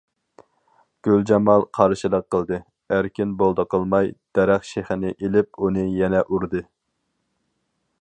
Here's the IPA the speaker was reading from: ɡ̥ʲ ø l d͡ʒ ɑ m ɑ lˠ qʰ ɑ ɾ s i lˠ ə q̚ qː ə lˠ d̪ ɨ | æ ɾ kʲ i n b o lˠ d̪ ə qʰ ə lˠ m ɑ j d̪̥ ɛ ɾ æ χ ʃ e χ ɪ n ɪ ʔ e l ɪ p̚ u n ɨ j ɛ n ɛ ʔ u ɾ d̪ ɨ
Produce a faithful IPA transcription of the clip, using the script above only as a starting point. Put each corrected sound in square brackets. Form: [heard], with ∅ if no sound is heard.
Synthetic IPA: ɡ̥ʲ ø l d͡ʒ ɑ m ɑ lˠ qʰ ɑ ɾ [ʃ] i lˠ ə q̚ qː ə lˠ d̪ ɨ | æ ɾ kʲ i n b o lˠ d̪ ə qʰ ə lˠ m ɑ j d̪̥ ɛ ɾ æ χ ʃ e χ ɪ n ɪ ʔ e l ɪ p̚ u n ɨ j ɛ n ɛ ʔ u ɾ d̪ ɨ